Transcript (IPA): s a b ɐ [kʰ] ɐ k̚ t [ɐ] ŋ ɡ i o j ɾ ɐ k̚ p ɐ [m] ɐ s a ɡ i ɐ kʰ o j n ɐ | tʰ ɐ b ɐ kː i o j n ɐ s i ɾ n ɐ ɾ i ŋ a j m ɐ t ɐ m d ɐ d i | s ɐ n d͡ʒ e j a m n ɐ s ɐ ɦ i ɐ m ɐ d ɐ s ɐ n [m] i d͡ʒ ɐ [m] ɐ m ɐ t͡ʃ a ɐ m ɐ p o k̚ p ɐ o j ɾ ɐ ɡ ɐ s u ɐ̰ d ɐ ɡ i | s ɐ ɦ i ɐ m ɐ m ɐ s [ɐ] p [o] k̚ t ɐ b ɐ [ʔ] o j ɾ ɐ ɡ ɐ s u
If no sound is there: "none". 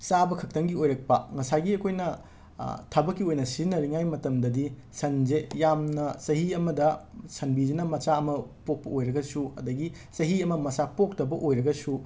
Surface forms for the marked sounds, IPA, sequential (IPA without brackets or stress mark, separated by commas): kʰ, ɐ, ŋ, b, n, a, o, ʔ